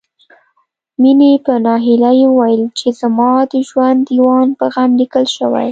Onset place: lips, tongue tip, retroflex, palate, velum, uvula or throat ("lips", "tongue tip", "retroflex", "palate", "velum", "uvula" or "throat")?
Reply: lips